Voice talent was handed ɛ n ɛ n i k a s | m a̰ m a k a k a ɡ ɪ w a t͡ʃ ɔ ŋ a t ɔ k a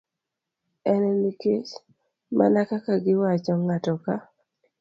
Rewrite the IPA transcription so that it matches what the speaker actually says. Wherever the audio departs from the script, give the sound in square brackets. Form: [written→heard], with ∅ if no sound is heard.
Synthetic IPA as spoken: ɛ n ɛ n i k [a→e] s | m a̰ [m→n] a k a k a ɡ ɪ w a t͡ʃ ɔ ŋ a t ɔ k a